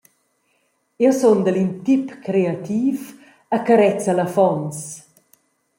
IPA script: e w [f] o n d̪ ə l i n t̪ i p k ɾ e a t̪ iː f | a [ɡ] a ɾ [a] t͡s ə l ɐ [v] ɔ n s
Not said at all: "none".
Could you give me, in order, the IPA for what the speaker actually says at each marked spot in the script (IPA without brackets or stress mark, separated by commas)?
s, k, ɛ, f